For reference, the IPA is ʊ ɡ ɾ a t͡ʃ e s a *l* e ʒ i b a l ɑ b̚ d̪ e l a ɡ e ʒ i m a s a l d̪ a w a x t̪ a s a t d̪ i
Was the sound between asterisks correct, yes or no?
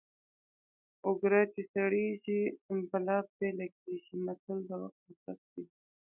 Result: no